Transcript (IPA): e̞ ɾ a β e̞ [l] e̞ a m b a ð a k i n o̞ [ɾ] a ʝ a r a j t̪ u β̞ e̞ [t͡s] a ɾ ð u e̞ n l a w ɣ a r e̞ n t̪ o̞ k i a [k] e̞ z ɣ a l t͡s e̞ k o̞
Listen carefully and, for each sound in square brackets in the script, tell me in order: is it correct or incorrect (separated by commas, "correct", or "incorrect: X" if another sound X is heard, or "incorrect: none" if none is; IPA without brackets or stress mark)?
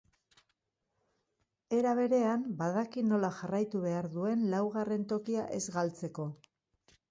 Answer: incorrect: ɾ, incorrect: l, incorrect: none, incorrect: ʔ